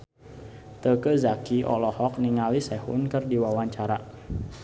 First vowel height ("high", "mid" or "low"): mid